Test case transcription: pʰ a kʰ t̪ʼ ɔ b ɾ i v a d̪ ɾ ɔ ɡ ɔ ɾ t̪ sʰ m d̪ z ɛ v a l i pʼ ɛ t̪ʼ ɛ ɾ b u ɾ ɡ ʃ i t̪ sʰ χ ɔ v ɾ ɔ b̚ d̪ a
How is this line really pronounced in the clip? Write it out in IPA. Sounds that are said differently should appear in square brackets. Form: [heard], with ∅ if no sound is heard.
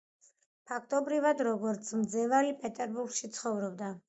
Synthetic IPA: pʰ a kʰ t̪ʼ ɔ b ɾ i v a d̪ ɾ ɔ ɡ ɔ ɾ t̪ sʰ m d̪ z ɛ v a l i pʼ ɛ t̪ʼ ɛ ɾ b u ɾ ɡ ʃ i t̪ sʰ χ ɔ v ɾ ɔ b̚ d̪ a